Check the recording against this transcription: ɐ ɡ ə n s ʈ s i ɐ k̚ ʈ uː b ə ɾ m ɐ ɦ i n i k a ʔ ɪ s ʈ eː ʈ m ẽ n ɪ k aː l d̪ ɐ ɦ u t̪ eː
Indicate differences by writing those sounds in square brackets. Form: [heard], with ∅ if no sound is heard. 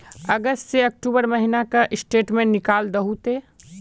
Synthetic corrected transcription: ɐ ɡ ə [∅] s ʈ s [e] ɐ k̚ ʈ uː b ə ɾ m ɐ ɦ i n [a] k a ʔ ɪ s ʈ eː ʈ m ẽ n ɪ k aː l d̪ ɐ ɦ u t̪ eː